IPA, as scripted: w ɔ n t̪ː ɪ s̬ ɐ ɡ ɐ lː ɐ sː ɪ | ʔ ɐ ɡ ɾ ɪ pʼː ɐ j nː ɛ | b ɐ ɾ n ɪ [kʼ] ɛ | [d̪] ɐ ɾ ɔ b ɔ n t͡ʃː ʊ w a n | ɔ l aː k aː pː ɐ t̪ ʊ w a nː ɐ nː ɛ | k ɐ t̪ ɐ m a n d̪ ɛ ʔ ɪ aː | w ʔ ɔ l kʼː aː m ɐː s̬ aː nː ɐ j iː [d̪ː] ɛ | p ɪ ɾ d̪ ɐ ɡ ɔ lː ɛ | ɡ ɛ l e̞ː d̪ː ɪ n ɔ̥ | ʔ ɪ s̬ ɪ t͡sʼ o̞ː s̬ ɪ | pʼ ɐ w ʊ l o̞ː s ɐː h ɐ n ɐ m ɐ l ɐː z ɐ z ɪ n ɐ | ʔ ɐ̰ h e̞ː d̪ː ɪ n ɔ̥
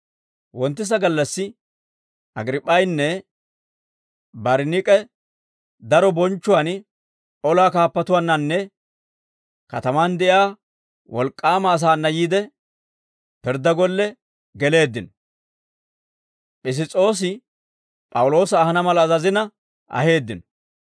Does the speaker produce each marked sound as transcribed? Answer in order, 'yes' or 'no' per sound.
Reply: yes, yes, no

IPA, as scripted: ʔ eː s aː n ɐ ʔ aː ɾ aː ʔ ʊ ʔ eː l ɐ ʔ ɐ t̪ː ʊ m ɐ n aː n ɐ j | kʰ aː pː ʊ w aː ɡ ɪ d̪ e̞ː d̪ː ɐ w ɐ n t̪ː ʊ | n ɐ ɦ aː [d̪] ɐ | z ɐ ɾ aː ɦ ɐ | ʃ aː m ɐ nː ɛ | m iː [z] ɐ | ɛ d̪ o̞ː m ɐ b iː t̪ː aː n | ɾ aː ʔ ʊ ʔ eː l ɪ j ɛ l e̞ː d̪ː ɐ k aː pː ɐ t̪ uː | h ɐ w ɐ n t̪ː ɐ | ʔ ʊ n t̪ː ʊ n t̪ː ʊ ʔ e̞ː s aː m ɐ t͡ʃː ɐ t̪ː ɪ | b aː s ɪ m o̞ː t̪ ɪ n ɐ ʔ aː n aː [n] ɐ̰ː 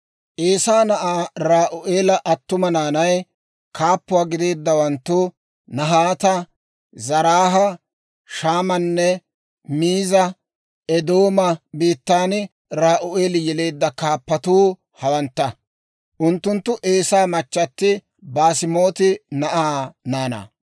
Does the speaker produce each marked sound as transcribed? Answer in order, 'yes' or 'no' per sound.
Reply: no, yes, yes

